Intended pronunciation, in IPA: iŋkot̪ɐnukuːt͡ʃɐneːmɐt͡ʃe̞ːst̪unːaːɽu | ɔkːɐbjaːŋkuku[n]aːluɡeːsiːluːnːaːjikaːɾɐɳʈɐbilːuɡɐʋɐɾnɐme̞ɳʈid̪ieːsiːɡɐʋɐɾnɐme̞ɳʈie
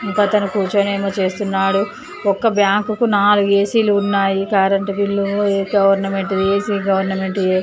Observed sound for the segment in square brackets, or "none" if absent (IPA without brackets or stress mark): n